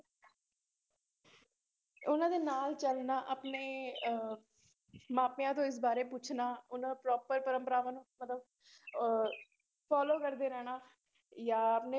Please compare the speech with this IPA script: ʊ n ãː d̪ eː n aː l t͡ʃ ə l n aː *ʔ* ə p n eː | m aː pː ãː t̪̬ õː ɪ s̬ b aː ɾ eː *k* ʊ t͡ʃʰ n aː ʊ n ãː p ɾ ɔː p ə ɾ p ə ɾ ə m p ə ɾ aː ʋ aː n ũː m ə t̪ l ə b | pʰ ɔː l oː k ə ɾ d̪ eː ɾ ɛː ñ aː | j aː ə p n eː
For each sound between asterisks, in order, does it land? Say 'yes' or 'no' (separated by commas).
yes, no